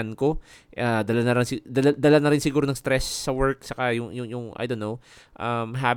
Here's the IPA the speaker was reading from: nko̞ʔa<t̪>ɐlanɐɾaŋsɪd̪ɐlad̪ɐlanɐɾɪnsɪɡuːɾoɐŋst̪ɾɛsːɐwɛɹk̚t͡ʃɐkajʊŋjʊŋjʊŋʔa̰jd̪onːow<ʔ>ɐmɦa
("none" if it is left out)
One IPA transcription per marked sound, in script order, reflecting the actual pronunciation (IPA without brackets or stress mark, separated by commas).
d̪, ʔ